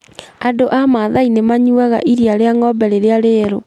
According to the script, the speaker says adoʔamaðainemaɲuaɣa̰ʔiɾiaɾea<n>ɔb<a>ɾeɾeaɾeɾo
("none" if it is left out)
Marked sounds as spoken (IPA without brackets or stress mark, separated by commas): ŋ, ɛ